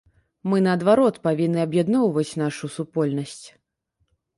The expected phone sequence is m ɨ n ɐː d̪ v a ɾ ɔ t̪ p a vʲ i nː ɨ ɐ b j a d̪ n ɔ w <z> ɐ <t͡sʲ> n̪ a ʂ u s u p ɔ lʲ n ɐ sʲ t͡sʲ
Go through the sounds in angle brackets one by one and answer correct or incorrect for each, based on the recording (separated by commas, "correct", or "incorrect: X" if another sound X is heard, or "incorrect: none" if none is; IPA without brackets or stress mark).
incorrect: v, correct